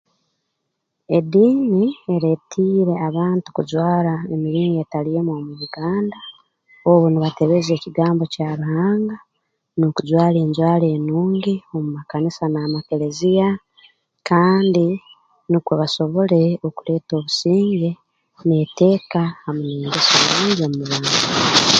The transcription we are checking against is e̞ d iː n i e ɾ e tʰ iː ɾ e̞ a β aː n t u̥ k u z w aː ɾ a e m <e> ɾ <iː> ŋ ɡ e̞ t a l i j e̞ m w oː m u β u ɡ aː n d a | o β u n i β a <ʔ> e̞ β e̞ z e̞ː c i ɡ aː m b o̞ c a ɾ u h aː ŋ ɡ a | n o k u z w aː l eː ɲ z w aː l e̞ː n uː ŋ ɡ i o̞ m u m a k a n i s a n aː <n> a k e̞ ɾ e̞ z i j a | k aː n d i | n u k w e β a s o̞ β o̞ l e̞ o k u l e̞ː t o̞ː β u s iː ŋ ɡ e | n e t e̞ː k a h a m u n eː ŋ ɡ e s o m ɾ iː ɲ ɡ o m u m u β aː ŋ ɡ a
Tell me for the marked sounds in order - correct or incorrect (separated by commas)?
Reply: incorrect, correct, incorrect, incorrect